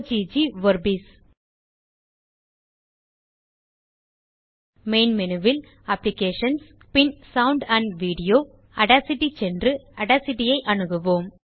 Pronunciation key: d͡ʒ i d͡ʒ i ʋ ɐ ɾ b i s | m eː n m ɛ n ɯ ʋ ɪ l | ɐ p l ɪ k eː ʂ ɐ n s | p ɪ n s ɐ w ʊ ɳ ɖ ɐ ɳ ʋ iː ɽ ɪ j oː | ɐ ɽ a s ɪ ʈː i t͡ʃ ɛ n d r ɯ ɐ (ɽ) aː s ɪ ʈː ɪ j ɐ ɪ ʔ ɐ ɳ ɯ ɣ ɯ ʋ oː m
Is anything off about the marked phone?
no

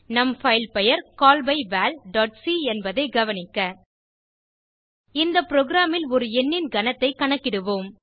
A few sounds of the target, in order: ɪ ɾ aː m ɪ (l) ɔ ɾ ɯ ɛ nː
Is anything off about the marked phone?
no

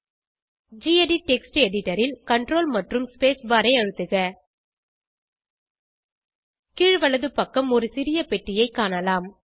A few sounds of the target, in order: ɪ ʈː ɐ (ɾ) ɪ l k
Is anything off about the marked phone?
no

